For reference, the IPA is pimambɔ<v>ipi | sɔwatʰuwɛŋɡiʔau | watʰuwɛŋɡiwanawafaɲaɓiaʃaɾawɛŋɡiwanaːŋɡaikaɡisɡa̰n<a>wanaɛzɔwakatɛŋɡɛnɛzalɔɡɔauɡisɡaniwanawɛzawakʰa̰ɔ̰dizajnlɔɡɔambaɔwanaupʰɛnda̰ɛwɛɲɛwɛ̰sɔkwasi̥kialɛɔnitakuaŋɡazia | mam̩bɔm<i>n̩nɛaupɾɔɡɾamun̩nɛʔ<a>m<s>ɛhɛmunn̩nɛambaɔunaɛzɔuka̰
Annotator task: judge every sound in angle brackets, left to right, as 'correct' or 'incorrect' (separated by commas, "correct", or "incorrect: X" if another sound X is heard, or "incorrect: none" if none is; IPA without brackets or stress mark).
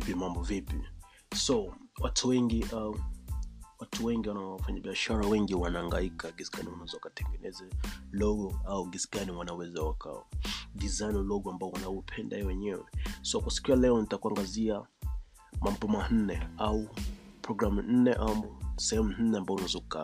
correct, incorrect: i, incorrect: a, correct, correct